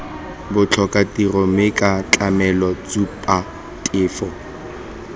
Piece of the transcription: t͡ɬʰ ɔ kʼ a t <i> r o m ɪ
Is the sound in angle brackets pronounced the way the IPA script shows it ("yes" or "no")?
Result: yes